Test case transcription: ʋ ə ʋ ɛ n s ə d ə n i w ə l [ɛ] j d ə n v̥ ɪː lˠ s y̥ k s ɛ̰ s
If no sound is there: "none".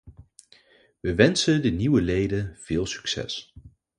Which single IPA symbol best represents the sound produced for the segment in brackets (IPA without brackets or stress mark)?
e